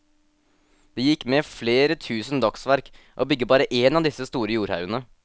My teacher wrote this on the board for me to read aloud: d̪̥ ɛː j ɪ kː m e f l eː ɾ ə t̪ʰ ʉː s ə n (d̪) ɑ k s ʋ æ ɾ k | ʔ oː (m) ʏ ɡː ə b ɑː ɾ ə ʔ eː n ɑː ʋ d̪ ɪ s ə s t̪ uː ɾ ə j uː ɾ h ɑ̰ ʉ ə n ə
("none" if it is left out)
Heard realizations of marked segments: d̪, b

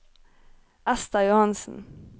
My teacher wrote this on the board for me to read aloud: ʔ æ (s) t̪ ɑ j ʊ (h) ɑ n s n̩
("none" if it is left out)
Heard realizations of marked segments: s, h

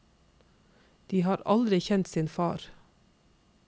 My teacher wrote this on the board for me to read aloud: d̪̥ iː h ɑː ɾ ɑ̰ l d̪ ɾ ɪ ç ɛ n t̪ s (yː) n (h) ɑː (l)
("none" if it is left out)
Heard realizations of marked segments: iː, f, ɾ

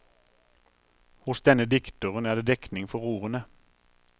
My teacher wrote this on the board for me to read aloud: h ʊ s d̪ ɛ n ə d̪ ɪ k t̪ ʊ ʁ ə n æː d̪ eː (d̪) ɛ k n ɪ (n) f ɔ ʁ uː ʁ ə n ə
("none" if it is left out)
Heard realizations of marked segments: d̪, ŋ

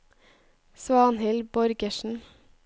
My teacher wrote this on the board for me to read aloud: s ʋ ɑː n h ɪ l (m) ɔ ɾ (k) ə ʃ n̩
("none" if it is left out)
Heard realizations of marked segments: b, ɡ

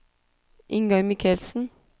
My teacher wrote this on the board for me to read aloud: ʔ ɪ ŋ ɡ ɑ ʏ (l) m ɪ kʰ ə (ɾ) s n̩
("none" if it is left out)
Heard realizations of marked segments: none, l

